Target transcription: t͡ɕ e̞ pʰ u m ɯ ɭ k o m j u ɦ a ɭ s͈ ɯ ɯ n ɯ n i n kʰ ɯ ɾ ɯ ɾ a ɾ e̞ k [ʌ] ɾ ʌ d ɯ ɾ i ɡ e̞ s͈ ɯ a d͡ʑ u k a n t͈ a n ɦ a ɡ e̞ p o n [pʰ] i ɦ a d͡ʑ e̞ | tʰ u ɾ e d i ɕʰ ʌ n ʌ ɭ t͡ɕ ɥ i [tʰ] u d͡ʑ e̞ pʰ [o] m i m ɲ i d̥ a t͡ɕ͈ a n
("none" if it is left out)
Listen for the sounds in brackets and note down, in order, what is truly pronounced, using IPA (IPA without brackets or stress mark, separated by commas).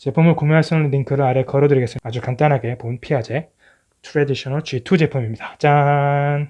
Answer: ʌ, pʰ, tʰ, u